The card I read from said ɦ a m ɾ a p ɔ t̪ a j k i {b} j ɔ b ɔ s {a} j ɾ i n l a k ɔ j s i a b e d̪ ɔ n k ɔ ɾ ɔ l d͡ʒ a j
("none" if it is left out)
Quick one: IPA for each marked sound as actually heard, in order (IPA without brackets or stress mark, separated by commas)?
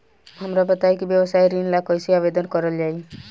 b, a